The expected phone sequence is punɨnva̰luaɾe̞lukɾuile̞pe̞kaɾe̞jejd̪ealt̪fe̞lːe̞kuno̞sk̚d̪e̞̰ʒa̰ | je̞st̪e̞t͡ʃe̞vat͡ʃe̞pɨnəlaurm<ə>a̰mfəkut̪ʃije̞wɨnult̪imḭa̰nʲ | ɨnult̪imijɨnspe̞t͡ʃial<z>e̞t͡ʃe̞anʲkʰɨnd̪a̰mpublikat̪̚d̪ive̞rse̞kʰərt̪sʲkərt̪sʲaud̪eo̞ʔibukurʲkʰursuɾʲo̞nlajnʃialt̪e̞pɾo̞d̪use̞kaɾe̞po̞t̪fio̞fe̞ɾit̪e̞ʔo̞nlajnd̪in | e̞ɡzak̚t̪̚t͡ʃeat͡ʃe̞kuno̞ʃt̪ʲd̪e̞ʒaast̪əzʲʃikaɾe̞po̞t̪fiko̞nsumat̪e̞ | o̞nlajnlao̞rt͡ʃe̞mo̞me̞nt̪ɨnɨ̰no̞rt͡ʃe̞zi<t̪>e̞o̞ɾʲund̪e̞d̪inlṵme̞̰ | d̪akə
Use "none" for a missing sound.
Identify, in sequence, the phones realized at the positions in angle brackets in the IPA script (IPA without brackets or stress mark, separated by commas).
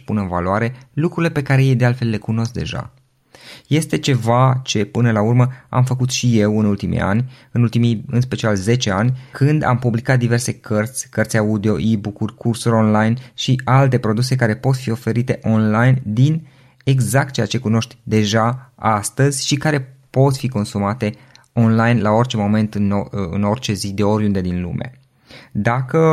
ə, z, d̪